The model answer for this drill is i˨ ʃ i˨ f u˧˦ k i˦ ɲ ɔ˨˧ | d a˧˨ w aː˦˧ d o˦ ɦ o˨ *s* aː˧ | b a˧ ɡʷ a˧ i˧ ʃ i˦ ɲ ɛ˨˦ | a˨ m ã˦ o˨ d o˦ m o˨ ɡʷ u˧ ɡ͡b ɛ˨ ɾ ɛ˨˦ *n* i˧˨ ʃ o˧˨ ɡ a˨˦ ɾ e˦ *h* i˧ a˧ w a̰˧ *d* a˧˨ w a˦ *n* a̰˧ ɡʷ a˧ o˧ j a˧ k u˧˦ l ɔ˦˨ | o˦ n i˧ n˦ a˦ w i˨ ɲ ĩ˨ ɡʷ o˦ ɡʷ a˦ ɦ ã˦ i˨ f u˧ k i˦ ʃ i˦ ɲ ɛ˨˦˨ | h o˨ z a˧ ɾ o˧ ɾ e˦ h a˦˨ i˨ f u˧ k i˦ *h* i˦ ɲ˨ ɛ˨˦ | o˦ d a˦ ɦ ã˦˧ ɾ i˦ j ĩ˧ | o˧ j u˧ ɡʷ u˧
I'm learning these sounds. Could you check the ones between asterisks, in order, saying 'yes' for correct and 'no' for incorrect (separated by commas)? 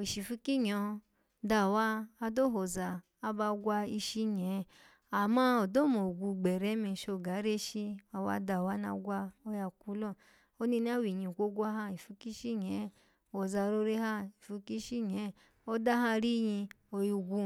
no, no, no, yes, yes, no